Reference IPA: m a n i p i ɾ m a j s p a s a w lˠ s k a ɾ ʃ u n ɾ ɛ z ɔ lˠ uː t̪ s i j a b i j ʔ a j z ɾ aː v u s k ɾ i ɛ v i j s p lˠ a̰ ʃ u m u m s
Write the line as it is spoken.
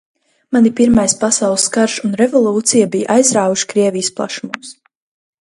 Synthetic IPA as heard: m a n i p i ɾ m a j s p a s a w lˠ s k a ɾ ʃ u n ɾ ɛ v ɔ lˠ uː t̪ s i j a b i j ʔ a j z ɾ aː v u ʃ k ɾ i ɛ v i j s p lˠ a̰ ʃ u m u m s

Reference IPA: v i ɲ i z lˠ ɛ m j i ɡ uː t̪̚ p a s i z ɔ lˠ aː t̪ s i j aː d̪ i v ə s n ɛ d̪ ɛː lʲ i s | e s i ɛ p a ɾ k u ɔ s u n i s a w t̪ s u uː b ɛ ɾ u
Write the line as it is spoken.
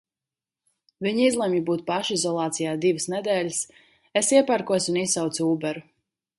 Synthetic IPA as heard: v i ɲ i z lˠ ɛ m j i b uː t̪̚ p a ʃ i z ɔ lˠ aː t̪ s i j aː d̪ i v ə s n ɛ d̪ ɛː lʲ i s | e s i ɛ p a ɾ k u ɔ s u n i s a w t̪ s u uː b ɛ ɾ u

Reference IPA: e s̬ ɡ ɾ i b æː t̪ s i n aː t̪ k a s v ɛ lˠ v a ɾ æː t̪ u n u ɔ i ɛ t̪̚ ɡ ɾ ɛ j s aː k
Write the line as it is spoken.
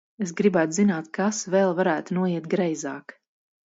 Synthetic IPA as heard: e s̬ ɡ ɾ i b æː t̪ z i n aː t̪ k a s v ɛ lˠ v a ɾ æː t̪ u n u ɔ i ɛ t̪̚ ɡ ɾ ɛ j z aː k

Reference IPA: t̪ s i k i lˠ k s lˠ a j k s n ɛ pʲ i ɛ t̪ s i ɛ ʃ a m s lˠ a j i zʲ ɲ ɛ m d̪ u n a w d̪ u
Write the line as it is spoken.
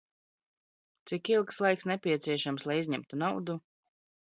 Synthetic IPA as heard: t̪ s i k i lˠ k s lˠ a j k s n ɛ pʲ i ɛ t̪ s i ɛ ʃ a m s lˠ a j i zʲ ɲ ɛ m t̪ u n a w d̪ u

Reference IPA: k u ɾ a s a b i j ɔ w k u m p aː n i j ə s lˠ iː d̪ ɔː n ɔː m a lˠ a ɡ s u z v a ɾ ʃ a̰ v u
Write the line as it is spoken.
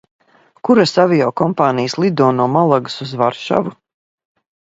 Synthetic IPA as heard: k u ɾ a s a v i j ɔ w k ɔ m p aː n i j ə s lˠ i d̪ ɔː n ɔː m a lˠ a ɡ s u z v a ɾ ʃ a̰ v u

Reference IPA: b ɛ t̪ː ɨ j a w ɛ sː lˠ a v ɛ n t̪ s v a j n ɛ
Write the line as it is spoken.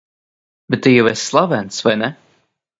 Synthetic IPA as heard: b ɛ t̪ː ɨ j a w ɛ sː lˠ a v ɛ n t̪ s v a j n ɛ

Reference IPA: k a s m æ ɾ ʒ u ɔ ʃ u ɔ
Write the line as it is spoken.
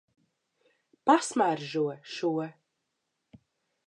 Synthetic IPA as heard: p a s m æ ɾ ʒ u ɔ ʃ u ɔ

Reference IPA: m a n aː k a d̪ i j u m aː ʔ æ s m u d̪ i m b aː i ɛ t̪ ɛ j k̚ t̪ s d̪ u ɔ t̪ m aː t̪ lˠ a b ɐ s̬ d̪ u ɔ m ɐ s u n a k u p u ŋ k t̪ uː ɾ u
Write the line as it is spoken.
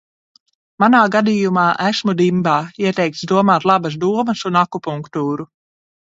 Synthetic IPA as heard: m a n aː ɡ a d̪ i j u m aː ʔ æ s m u d̪ i m b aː i ɛ t̪ ɛ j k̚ t̪ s d̪ u ɔ m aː t̪ lˠ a b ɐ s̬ d̪ u ɔ m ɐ s u n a k u p u ŋ k t̪ uː ɾ u

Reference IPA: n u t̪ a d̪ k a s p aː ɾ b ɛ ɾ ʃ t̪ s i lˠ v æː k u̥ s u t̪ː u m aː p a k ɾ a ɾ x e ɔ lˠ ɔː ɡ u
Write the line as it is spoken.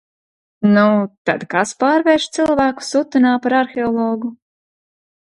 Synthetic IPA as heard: n u t̪ a d̪ k a s p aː ɾ v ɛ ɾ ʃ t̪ s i lˠ v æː k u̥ s u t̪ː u n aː p a ɾ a ɾ x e ɔ lˠ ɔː ɡ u

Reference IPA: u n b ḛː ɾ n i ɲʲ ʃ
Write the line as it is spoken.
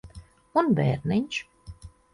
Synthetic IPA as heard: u n b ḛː ɾ n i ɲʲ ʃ

